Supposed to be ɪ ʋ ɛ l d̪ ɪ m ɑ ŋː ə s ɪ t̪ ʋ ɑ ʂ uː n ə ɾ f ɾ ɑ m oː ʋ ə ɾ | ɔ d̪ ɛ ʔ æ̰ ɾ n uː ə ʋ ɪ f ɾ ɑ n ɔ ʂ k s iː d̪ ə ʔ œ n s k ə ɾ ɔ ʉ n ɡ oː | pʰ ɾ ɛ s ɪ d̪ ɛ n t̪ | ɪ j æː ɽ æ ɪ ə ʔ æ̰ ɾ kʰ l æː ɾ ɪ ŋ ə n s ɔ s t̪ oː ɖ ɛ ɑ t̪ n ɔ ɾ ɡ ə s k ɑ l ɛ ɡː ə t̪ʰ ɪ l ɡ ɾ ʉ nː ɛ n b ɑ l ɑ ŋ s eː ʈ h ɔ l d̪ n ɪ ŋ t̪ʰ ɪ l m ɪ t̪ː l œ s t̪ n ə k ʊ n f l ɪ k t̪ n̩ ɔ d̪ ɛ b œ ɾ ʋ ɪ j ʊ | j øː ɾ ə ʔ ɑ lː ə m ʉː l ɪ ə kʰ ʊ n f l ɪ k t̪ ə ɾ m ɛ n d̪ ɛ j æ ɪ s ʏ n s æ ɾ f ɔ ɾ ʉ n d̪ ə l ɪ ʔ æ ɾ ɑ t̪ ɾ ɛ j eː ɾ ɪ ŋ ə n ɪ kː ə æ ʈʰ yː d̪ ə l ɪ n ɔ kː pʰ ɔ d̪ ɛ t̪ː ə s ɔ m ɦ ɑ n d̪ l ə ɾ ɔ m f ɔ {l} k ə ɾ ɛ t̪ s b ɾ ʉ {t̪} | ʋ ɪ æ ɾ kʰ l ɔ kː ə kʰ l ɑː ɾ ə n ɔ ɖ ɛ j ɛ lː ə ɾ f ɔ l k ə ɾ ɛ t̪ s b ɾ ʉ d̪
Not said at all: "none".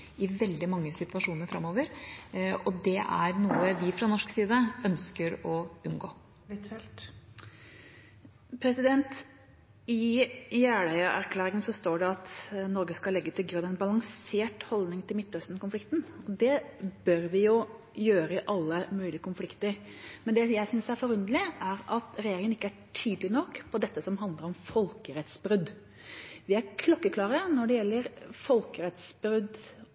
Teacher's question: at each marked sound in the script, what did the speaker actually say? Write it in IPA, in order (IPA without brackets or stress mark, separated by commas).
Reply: l, d̪